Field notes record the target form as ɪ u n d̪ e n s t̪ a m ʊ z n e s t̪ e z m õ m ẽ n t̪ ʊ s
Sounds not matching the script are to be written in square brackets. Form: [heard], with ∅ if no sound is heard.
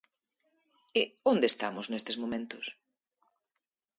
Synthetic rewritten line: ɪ [o] n d̪ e [∅] s t̪ a m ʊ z n e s t̪ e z m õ m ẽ n t̪ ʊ s